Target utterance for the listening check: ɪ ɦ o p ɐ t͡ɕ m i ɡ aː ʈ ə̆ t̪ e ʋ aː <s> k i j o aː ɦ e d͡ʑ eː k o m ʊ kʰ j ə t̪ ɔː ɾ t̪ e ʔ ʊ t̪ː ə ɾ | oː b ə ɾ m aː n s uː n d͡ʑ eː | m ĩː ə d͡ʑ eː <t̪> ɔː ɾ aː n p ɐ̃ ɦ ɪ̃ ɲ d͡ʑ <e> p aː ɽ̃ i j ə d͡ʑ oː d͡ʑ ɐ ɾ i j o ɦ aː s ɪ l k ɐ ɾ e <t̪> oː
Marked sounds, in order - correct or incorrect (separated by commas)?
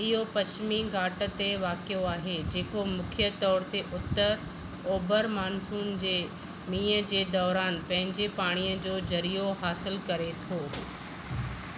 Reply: incorrect, incorrect, correct, incorrect